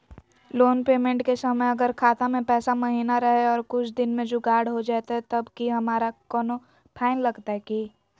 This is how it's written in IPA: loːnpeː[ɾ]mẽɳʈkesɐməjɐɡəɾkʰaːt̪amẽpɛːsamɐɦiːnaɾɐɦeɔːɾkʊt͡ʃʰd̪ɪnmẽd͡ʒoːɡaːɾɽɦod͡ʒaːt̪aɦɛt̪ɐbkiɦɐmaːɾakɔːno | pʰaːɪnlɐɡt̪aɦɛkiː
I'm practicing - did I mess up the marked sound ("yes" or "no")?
yes